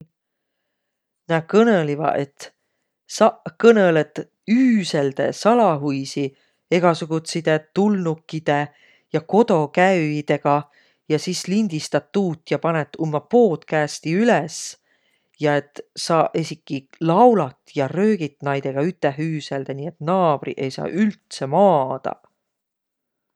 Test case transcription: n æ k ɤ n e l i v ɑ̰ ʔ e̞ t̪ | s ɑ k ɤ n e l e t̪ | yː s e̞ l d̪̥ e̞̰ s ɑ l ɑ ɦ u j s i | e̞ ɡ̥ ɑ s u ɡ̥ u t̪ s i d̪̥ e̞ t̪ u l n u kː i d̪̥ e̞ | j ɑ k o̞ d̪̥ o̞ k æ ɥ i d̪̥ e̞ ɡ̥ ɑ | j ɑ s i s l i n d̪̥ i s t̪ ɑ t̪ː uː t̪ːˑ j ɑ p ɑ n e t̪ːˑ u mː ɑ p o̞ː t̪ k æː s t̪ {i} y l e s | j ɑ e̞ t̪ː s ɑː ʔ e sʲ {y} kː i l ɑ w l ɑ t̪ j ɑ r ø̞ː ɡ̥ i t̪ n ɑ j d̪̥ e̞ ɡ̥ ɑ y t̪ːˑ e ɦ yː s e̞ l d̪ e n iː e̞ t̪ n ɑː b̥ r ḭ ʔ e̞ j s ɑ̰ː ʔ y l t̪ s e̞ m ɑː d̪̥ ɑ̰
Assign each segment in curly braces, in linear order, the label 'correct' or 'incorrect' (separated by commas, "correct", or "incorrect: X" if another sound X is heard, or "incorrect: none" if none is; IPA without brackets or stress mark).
correct, incorrect: i